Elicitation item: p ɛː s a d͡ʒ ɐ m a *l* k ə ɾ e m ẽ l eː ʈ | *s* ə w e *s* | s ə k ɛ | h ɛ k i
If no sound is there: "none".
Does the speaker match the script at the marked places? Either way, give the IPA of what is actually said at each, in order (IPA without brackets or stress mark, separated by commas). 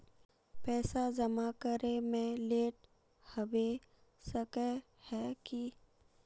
none, h, none